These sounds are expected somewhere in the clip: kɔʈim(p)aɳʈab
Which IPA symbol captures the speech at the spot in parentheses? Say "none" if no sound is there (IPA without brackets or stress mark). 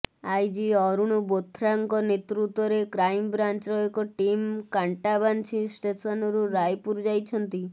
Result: k